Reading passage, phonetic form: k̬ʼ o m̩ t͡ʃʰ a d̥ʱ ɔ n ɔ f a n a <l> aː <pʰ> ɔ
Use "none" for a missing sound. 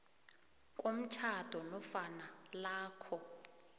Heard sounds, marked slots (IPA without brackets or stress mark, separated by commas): l, kʰ